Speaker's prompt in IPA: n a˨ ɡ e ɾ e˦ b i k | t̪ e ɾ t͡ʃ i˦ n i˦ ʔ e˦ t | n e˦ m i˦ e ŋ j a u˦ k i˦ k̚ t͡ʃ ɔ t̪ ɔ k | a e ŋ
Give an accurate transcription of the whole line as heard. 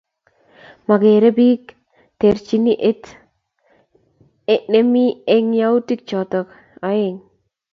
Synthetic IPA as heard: m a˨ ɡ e ɾ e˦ b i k | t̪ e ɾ t͡ʃ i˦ n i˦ ʔ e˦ t | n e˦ m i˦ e ŋ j a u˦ t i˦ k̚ t͡ʃ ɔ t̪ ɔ k | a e ŋ